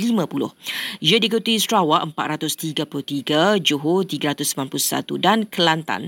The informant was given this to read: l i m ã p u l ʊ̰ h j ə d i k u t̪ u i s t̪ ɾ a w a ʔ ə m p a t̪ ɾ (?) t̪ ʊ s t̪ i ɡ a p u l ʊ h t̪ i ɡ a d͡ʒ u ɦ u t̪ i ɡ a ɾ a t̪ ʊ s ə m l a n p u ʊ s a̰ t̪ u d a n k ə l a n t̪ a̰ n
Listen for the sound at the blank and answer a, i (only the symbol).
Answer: a